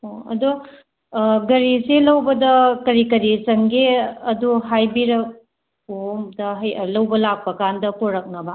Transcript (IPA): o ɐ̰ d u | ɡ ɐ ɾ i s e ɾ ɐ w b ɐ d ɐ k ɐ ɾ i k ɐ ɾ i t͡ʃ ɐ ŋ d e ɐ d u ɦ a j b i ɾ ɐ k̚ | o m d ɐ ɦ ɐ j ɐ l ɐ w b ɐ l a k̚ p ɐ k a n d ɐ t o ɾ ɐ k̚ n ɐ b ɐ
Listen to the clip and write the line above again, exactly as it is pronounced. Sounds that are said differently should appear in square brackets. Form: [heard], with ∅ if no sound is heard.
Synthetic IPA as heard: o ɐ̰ d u | ɡ ɐ ɾ i s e [l] ɐ w b ɐ d ɐ k ɐ ɾ i k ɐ ɾ i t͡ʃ ɐ ŋ [ɡ] e ɐ d u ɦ a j b i ɾ ɐ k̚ | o m d ɐ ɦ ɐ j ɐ l ɐ w b ɐ l a k̚ p ɐ k a n d ɐ [p] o ɾ ɐ k̚ n ɐ b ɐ